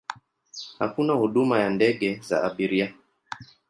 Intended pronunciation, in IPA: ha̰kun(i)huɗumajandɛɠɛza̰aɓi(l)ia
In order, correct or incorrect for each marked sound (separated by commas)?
incorrect, incorrect